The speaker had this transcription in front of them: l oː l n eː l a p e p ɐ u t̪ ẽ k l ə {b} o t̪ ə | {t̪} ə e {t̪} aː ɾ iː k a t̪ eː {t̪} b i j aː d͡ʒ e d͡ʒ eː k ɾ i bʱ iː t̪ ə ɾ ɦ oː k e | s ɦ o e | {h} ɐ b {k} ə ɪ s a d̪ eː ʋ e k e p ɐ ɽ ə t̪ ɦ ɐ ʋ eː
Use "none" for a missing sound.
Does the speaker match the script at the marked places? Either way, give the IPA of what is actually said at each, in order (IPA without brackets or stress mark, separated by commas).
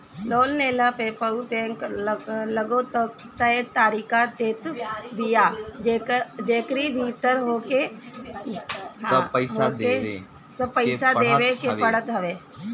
ɡ, t̪, t̪, t̪, s, p